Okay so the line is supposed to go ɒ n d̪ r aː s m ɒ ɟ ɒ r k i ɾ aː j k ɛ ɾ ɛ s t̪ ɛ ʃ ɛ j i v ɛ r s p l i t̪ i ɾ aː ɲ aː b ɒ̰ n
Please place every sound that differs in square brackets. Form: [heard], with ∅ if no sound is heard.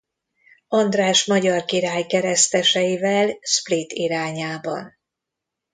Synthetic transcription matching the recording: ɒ n d̪ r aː [ʃ] m ɒ ɟ ɒ r k i ɾ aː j k ɛ ɾ ɛ s t̪ ɛ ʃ ɛ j i v ɛ [l] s p l i t̪ i ɾ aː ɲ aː b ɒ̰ n